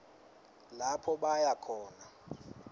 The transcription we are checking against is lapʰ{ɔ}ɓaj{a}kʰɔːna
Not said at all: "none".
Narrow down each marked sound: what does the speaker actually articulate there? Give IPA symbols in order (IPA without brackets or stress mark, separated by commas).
ɔ, a